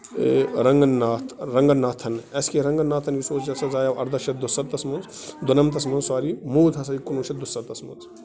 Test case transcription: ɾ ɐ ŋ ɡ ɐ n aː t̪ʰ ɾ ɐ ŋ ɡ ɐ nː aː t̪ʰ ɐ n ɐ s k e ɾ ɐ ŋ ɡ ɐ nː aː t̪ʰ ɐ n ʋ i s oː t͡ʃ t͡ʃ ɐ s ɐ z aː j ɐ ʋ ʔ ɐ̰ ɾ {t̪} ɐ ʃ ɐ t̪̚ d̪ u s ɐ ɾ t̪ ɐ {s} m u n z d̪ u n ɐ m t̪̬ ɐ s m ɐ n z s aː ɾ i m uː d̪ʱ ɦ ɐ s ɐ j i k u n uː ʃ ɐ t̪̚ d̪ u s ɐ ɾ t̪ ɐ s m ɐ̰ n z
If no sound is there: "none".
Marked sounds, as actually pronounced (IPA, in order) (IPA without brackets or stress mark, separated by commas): d̪, s